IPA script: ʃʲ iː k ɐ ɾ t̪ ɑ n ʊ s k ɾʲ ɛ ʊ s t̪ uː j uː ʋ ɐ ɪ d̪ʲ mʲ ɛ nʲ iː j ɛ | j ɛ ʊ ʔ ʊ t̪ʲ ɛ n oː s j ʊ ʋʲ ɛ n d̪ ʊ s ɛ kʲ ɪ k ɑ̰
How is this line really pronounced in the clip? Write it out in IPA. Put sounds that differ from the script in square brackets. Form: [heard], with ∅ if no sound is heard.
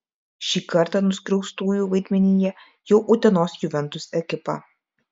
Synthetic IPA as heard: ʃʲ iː k ɐ ɾ t̪ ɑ n ʊ s k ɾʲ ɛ ʊ s t̪ uː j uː ʋ ɐ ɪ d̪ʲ mʲ ɛ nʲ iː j ɛ | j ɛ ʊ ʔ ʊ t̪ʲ ɛ n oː s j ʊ ʋʲ ɛ n [t̪] ʊ s ɛ kʲ ɪ [p] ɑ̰